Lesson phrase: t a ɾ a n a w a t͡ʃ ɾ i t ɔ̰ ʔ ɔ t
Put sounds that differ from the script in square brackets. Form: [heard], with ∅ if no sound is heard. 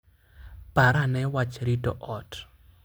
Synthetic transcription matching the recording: [p] a ɾ a n [ɛ] w a t͡ʃ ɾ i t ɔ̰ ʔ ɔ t